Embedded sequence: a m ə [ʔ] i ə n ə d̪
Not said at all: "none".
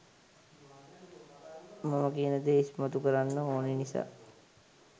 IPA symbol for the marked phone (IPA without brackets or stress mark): k